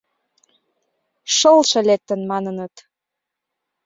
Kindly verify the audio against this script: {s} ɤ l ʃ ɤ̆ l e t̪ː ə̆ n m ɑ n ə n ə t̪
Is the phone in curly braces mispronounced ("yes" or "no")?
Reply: yes